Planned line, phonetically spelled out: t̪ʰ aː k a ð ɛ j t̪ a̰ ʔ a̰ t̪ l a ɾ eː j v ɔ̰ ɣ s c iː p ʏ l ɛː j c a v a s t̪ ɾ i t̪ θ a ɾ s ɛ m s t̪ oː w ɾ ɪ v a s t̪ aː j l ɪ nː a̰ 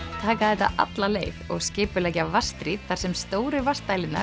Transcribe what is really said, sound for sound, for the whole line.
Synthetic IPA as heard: t̪ʰ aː k a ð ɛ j t̪ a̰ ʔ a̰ t̪ l a l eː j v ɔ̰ ɣ s c ɪː p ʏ l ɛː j c a v a s t̪ ɾ i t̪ θ a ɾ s ɛ m s t̪ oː w ɾ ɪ v a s t̪ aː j l ɪ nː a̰